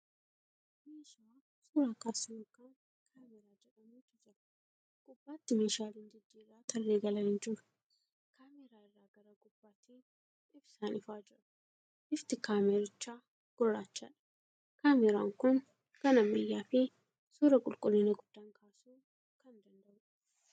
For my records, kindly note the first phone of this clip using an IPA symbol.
m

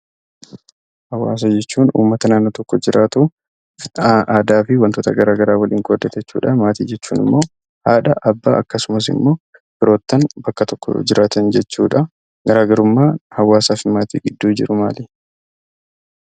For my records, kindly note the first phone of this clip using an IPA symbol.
h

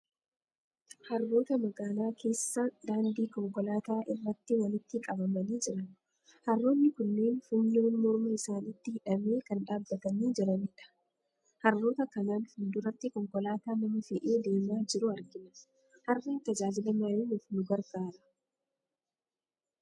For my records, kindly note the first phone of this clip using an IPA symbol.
h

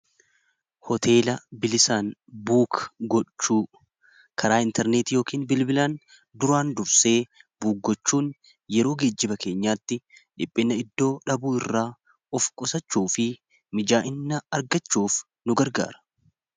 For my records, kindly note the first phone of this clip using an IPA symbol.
h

